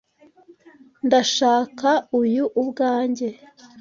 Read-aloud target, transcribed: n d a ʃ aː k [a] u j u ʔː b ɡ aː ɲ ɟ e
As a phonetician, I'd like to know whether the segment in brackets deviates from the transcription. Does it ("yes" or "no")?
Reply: no